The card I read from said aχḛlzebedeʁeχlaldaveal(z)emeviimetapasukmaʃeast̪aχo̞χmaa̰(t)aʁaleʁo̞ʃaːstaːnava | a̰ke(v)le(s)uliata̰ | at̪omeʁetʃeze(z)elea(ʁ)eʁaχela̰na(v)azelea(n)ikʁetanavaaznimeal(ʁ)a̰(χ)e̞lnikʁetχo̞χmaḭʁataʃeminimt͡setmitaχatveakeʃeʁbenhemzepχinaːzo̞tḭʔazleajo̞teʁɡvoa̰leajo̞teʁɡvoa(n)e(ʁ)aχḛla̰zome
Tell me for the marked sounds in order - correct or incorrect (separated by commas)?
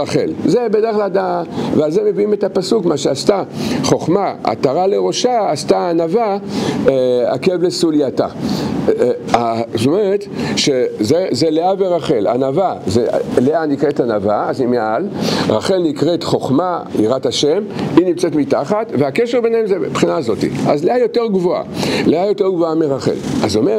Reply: correct, correct, correct, correct, correct, incorrect, correct, correct, correct, correct, incorrect, correct